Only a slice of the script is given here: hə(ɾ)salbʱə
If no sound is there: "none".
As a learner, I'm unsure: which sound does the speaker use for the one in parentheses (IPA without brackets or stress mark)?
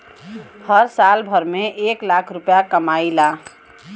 ɾ